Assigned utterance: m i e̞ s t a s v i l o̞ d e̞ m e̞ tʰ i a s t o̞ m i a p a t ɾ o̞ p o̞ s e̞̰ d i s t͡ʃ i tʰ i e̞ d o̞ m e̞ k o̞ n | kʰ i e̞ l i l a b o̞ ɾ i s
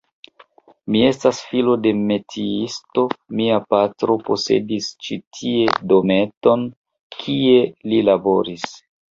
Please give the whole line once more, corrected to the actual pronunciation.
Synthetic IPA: m i e̞ s t a s f i l o̞ d e̞ m e̞ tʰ i i s t o̞ m i a p a t ɾ o̞ p o̞ s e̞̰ d i s t͡ʃ i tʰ i e̞ d o̞ m e̞ t o̞ n | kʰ i e̞ l i l a b o̞ ɾ i s